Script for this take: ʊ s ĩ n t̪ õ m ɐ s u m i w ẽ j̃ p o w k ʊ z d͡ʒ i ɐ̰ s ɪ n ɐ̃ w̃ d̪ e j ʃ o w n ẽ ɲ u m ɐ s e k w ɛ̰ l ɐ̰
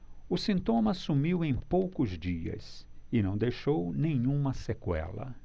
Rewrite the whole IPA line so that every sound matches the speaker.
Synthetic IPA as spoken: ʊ s ĩ n t̪ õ m ɐ s u m i w ẽ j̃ p o w k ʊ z d͡ʒ i ɐ̰ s ɪ n ɐ̃ w̃ d̪ e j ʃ o w n ẽ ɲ ũ m ɐ s e k w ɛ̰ l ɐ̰